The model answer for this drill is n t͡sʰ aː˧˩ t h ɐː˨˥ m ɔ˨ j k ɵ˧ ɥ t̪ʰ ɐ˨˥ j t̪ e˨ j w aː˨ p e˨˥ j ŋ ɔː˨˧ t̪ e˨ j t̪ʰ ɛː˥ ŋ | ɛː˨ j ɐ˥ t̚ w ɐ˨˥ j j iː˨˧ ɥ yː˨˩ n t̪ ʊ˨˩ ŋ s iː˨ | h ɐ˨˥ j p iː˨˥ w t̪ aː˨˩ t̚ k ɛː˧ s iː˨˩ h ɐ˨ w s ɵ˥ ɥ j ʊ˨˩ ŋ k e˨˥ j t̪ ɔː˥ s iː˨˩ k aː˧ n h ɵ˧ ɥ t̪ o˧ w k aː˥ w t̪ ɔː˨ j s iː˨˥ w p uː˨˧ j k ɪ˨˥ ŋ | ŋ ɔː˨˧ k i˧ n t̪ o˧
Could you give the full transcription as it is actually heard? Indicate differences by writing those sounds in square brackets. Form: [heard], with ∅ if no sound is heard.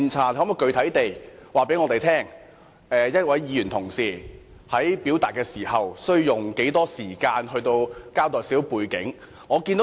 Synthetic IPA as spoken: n t͡sʰ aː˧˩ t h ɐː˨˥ m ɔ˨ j k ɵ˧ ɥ t̪ʰ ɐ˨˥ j t̪ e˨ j w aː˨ p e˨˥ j ŋ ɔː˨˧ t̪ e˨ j t̪ʰ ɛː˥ ŋ | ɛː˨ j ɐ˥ t̚ w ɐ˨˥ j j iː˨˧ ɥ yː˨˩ n [t̪ʰ] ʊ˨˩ ŋ s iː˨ | h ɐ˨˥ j p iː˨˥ w t̪ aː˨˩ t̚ k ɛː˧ s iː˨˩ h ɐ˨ w s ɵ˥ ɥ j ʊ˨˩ ŋ k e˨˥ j t̪ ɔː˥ s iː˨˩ k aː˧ n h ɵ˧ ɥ t̪ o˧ w k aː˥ w t̪ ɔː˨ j s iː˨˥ w p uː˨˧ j k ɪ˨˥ ŋ | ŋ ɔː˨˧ k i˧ n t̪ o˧

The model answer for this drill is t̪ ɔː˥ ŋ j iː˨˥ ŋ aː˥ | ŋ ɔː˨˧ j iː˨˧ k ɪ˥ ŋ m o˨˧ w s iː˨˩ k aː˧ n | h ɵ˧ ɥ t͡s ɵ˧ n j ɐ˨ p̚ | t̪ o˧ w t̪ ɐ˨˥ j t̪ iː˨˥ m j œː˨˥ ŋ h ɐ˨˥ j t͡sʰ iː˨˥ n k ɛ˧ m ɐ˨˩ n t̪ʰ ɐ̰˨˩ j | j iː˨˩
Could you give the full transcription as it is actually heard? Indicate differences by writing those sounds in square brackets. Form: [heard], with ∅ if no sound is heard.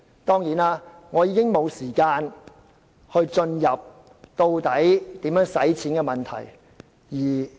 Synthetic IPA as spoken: t̪ ɔː˥ ŋ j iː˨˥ [n] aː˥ | ŋ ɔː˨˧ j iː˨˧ k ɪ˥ ŋ m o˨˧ w s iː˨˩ k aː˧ n | h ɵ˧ ɥ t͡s ɵ˧ n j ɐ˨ p̚ | t̪ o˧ w t̪ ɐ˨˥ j t̪ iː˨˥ m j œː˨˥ ŋ [s] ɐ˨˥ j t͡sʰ iː˨˥ n k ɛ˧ m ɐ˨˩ n t̪ʰ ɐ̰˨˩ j | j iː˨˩

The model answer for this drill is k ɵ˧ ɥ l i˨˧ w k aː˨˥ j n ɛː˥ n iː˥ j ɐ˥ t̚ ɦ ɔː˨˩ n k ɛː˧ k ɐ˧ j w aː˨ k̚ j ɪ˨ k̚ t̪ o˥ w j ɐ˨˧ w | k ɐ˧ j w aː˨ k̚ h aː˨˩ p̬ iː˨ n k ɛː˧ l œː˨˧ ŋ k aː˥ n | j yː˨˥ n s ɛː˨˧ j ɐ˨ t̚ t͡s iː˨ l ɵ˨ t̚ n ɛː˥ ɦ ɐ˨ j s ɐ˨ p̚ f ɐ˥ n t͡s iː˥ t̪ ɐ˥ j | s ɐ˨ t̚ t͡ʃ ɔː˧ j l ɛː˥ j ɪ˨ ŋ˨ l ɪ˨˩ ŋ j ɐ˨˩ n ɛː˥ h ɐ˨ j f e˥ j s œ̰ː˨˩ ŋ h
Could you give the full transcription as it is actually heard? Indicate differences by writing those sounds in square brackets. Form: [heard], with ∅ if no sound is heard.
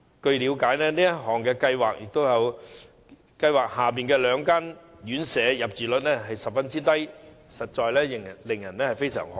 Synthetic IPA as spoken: k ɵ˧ ɥ l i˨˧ w k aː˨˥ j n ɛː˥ n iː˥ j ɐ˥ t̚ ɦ ɔː˨˩ [ŋ] k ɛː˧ k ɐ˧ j w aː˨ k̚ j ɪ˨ k̚ t̪ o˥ w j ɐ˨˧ w | k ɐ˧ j w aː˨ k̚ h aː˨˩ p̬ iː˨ n k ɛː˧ l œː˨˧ ŋ k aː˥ n | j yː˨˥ n s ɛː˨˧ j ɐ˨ [p̚] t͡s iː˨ l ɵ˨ t̚ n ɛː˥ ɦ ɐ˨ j s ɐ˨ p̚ f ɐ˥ n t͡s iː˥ t̪ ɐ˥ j | s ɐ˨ t̚ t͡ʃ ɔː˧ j l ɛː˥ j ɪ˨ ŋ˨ l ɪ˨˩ ŋ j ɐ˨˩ n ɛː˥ h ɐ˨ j f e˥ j s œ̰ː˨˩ ŋ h

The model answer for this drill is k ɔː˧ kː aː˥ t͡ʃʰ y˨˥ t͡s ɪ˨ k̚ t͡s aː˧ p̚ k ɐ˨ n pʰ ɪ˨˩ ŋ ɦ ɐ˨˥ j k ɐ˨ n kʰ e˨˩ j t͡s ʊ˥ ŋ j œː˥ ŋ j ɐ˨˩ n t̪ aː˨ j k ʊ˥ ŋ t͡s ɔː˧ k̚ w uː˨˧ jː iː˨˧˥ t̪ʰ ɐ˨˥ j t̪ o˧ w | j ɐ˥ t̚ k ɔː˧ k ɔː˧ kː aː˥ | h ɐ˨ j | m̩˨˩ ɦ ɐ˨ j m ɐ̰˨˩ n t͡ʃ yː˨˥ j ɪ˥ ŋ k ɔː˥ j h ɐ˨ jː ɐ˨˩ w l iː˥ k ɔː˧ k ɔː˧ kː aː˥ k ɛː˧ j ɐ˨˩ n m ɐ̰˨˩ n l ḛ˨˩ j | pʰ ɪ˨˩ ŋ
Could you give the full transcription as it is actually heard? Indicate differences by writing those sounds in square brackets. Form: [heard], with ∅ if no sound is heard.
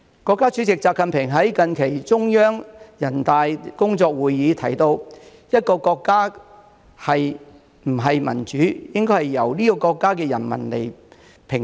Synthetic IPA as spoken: k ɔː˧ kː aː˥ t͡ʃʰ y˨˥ t͡s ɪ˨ k̚ t͡s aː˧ p̚ k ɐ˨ n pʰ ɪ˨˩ ŋ ɦ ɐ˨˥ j k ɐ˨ n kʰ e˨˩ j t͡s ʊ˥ ŋ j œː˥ ŋ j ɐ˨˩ n t̪ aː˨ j k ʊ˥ ŋ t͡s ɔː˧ k̚ w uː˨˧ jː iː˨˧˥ t̪ʰ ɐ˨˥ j t̪ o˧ w | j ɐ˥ t̚ k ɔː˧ k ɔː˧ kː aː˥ | h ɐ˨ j | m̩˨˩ ɦ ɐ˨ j m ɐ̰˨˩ n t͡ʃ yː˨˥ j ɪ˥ ŋ k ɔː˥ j h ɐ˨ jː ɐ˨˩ w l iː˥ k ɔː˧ k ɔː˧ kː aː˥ k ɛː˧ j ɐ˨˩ n m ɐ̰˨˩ n l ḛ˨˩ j | pʰ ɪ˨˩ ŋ

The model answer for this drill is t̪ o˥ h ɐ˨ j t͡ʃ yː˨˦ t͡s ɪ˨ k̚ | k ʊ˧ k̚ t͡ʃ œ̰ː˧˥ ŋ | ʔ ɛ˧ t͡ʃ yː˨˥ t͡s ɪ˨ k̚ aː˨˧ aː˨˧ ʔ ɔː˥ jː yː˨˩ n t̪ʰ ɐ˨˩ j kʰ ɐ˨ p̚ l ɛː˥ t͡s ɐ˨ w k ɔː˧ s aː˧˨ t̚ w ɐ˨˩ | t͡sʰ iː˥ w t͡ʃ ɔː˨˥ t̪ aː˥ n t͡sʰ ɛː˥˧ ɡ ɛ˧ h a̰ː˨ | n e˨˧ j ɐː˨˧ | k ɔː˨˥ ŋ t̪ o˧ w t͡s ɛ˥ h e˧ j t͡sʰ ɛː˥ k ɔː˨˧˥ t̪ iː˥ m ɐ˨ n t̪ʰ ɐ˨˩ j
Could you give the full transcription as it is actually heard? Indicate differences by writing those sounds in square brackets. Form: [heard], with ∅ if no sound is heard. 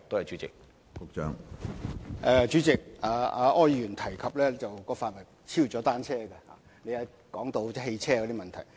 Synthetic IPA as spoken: t̪ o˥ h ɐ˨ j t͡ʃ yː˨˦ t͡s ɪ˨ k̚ | k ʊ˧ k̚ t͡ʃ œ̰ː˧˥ ŋ | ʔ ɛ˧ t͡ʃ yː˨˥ t͡s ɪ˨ k̚ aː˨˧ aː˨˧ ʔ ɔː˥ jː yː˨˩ n t̪ʰ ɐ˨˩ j kʰ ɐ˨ p̚ l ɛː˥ t͡s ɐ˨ w k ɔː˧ [f] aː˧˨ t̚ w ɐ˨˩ | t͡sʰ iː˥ w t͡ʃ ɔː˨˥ t̪ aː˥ n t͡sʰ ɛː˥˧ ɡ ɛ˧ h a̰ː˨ | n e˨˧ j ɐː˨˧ | k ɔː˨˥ ŋ t̪ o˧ w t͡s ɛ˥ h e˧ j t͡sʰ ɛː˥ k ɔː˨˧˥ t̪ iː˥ m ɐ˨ n t̪ʰ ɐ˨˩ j

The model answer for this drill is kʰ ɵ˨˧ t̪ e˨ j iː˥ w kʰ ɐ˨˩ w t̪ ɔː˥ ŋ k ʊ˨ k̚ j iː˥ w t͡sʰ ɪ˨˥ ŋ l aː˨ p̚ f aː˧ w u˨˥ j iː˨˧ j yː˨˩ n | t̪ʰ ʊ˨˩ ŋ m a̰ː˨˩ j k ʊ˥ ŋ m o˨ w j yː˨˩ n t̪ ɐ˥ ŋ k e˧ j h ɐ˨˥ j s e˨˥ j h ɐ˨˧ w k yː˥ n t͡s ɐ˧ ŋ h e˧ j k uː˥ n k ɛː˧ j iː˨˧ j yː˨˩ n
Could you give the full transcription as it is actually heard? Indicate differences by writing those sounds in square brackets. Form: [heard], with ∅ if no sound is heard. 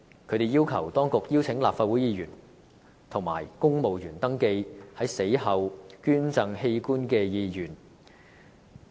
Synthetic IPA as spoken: kʰ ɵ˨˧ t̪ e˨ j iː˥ w kʰ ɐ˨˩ w t̪ ɔː˥ ŋ k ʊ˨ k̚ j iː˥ w t͡sʰ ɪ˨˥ ŋ l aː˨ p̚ f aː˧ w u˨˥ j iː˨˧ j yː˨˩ n | t̪ʰ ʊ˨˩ ŋ m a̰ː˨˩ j k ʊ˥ ŋ m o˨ w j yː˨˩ n t̪ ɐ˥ ŋ k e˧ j h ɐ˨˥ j s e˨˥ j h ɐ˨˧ w k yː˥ n t͡s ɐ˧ ŋ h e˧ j k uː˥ n k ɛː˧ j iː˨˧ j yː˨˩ n

